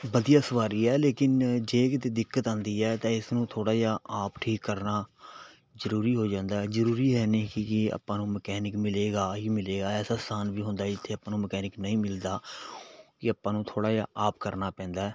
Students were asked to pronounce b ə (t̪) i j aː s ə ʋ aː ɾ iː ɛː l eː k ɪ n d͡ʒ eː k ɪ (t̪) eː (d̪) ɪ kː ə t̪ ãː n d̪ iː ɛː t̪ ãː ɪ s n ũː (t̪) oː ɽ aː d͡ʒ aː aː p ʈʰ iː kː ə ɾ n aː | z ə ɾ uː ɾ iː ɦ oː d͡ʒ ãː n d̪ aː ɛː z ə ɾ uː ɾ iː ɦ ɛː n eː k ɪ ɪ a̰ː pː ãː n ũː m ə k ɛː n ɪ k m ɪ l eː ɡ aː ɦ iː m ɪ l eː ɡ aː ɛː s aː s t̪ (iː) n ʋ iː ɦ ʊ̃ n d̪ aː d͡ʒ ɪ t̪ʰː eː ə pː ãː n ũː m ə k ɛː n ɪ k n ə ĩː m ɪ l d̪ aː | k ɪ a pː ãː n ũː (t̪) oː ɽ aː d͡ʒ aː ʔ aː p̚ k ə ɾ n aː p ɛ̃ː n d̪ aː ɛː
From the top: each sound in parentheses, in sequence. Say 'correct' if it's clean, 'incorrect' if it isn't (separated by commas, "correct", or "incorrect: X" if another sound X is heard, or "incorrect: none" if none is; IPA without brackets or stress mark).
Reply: incorrect: d̪, correct, correct, incorrect: t̪ʰ, incorrect: aː, incorrect: t̪ʰ